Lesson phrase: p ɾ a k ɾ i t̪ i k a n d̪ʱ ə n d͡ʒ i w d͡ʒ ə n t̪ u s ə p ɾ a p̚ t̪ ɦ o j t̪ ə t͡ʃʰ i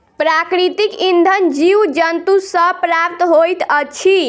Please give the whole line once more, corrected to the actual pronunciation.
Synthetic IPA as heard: p ɾ a k ɾ i t̪ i k i n d̪ʱ ə n d͡ʒ i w d͡ʒ ə n t̪ u s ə p ɾ a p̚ t̪ ɦ o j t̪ ə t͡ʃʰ i

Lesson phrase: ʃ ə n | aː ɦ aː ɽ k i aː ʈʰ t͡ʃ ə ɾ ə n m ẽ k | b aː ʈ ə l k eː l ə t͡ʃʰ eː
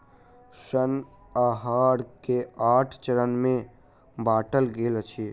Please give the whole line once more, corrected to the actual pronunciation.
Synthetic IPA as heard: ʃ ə n | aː ɦ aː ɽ k e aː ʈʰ t͡ʃ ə ɾ ə n m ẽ | b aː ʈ ə l ɡ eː l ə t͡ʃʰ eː

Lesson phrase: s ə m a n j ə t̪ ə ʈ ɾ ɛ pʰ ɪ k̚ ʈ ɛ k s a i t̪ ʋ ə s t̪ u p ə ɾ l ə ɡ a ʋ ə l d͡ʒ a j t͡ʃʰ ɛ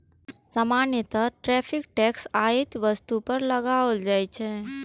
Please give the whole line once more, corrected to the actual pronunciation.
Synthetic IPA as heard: s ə m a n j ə t̪ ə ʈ ɾ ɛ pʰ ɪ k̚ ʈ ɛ k s a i t̪ ʋ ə s t̪ u p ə ɾ l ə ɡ a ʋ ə l d͡ʒ a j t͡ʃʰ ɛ

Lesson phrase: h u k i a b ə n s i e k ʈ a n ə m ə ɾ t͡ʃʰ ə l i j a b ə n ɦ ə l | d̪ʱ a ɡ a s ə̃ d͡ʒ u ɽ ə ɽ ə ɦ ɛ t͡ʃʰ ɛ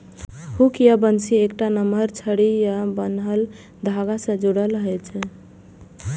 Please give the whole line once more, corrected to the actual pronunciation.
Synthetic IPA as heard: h u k j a b ə n s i e k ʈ a n ə m ə ɾ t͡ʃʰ ə ɽ i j a b ə n ɦ ə l | d̪ʱ a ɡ a s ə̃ d͡ʒ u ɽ ə l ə ɦ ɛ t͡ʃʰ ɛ

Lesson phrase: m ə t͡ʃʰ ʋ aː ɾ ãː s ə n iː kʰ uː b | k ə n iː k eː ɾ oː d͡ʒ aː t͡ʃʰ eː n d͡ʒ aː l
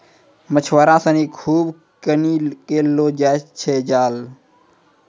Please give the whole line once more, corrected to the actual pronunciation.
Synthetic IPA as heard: m ə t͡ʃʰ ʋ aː ɾ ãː s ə n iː kʰ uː b | k ə n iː k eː l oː d͡ʒ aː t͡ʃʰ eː d͡ʒ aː l

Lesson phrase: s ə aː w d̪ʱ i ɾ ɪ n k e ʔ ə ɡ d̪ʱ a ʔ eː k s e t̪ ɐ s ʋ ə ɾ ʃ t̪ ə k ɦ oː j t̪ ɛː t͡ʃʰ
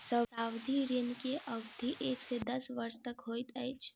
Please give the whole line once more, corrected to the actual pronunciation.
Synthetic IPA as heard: s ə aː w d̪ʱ i ɾ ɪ n k e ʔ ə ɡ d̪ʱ i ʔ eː k s e d̪ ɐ s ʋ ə ɾ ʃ t̪ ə k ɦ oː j t̪ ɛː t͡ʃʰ

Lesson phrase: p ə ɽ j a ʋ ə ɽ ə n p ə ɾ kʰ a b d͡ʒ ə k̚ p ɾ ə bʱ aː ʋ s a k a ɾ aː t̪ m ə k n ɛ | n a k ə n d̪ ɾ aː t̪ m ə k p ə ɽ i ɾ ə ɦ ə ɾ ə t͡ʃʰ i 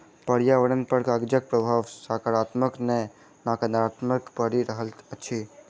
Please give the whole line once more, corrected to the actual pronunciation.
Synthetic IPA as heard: p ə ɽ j a ʋ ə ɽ ə n p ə ɾ k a ɡ d͡ʒ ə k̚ p ɾ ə bʱ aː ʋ s a k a ɾ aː t̪ m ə k n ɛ | n a k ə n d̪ ɾ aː t̪ m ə k p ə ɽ i ɾ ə ɦ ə l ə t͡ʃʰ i

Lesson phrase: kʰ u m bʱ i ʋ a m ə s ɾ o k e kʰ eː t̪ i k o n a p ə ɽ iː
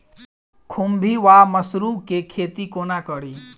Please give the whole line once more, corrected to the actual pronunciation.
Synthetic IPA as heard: kʰ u m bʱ i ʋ a m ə s ɾ u k e kʰ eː t̪ i k o n a k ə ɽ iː

